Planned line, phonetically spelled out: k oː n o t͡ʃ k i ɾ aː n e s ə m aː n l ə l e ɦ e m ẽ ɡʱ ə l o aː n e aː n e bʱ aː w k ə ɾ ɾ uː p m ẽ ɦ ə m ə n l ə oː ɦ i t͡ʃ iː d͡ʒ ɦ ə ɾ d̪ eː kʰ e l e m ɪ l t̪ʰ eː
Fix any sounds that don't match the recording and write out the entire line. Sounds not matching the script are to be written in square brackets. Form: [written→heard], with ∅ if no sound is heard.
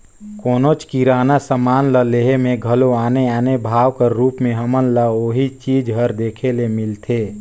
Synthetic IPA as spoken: k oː n o t͡ʃ k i ɾ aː n [e→a] s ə m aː n l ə l e ɦ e m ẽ ɡʱ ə l o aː n e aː n e bʱ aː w k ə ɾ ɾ uː p m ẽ ɦ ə m ə n l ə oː ɦ i t͡ʃ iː d͡ʒ ɦ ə ɾ d̪ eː kʰ e l e m ɪ l t̪ʰ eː